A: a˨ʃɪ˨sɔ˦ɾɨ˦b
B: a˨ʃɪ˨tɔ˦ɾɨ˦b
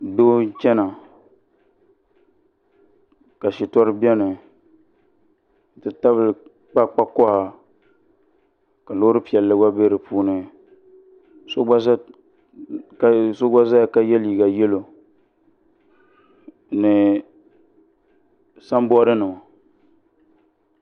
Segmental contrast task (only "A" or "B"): B